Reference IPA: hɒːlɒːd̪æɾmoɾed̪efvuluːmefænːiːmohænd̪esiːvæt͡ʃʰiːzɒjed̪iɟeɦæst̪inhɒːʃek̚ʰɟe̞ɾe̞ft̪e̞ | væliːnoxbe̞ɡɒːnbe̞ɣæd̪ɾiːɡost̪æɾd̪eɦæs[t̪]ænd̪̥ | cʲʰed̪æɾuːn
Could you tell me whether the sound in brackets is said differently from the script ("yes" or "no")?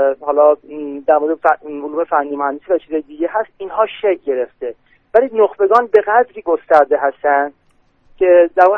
no